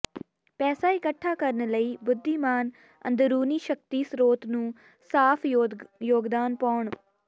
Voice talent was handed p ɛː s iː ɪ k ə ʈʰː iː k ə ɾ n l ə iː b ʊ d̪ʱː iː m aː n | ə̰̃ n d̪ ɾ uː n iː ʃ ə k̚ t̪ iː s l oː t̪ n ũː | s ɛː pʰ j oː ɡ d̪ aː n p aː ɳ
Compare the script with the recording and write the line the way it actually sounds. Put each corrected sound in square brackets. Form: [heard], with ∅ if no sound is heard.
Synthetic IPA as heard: p ɛː s [aː] ɪ k ə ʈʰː [aː] k ə ɾ n l ə iː b ʊ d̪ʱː iː m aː n | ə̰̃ n d̪ ɾ uː n iː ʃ ə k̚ t̪ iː s [ɾ] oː t̪ n ũː | s [aː] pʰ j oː ɡ d̪ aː n p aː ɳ